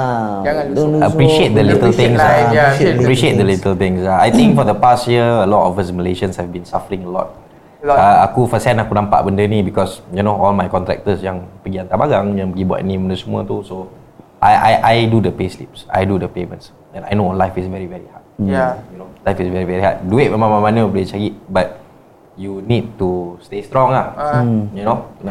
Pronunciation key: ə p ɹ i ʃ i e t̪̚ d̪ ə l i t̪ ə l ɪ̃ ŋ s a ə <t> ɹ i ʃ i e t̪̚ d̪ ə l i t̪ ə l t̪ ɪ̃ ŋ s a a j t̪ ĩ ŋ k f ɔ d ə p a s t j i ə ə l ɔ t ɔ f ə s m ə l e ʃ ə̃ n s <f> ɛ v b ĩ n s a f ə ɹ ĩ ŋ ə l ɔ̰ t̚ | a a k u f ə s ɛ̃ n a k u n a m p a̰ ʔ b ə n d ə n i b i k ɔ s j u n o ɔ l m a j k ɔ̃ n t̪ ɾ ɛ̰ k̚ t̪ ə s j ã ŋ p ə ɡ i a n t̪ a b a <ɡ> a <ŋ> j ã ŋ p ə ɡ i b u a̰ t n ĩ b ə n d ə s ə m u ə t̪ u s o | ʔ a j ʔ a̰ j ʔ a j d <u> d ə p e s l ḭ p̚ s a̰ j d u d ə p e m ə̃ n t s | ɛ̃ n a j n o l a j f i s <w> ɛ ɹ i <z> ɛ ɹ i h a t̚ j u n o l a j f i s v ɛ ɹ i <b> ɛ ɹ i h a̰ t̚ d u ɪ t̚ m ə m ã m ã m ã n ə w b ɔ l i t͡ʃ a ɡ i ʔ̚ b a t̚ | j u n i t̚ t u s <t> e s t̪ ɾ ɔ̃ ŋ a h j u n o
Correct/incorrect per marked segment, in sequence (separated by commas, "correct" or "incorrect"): incorrect, incorrect, correct, correct, correct, incorrect, incorrect, incorrect, correct